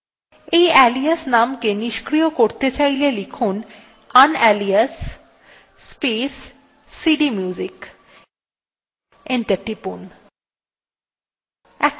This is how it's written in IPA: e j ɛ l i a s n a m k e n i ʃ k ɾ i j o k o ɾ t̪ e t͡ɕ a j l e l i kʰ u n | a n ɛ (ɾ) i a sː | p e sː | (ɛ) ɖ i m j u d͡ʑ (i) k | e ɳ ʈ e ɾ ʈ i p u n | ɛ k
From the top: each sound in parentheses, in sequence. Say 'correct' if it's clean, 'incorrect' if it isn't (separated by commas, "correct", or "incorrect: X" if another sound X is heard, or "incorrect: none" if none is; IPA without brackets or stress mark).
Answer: incorrect: l, incorrect: i, correct